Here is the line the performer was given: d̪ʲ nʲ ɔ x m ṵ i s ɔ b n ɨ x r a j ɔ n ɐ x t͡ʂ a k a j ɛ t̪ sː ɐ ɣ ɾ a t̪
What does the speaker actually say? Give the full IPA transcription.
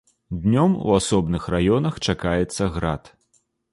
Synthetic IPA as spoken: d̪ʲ nʲ ɔ m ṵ a s ɔ b n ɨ x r a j ɔ n ɐ x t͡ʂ a k a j ɛ t̪ sː ɐ ɣ ɾ a t̪